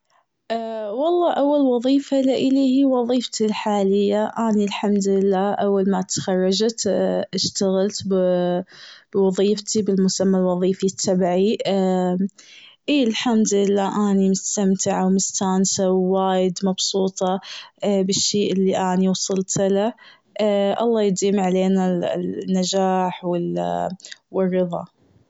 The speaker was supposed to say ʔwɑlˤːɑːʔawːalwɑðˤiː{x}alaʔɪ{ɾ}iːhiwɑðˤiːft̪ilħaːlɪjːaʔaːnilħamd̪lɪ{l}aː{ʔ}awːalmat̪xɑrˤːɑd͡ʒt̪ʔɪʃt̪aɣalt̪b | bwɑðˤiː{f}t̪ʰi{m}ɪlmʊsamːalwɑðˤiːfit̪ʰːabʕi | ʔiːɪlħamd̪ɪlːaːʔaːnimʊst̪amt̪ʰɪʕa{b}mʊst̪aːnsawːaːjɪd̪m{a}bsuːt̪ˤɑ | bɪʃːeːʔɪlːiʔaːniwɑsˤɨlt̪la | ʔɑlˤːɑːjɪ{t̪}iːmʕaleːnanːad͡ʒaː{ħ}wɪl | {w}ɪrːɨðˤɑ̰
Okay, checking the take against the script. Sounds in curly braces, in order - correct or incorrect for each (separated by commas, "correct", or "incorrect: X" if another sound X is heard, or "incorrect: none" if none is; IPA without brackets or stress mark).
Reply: incorrect: f, incorrect: l, incorrect: lː, correct, correct, incorrect: b, incorrect: w, incorrect: ɑ, incorrect: d̪, correct, correct